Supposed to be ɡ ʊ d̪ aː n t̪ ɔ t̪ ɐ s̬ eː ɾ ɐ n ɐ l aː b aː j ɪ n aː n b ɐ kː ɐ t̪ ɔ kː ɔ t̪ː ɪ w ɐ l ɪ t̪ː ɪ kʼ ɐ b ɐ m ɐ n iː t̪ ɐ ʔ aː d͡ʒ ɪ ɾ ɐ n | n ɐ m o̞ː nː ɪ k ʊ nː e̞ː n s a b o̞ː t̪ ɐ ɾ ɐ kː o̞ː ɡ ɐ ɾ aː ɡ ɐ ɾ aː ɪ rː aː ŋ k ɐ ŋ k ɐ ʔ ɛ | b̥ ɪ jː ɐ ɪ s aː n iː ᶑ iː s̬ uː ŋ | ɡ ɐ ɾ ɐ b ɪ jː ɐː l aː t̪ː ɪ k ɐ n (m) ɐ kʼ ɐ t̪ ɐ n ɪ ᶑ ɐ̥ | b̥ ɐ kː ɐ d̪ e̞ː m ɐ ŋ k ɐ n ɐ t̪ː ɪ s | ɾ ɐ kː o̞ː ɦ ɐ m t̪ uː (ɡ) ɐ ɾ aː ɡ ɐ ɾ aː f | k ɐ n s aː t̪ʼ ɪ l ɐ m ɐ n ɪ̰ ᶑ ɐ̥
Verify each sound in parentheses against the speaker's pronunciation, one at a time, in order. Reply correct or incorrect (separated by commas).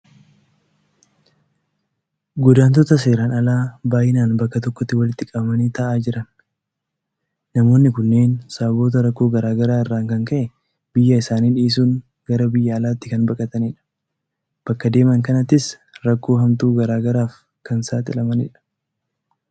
incorrect, correct